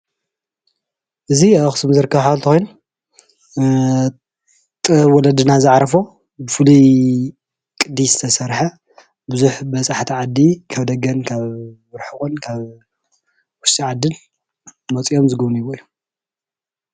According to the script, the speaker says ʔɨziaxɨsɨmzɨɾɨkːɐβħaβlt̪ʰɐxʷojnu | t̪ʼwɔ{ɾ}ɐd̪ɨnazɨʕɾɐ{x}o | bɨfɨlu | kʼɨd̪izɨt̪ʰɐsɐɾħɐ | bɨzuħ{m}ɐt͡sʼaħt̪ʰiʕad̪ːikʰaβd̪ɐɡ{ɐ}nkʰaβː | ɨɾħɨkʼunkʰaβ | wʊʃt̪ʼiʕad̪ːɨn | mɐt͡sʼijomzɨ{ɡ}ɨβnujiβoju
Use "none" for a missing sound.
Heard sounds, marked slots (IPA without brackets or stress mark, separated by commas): l, f, b, ɐ, ɡ